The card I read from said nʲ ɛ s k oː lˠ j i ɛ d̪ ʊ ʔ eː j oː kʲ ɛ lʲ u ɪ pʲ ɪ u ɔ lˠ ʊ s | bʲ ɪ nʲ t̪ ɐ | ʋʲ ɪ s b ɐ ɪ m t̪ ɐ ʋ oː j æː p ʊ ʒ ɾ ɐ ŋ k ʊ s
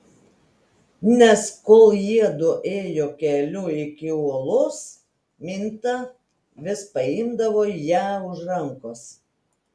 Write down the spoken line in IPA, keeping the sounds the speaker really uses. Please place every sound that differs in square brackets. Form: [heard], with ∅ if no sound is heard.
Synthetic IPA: nʲ ɛ s k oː lˠ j i ɛ d̪ ʊ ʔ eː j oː kʲ ɛ lʲ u ɪ [kʲ] ɪ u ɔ lˠ ʊ s | [mʲ] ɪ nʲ t̪ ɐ | ʋʲ ɪ s [p] ɐ ɪ m [d̪] ɐ ʋ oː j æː [∅] ʊ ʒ ɾ ɐ ŋ k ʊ s